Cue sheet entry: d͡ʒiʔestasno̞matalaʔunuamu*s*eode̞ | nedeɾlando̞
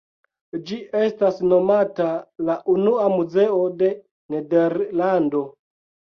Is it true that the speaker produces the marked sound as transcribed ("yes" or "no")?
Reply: no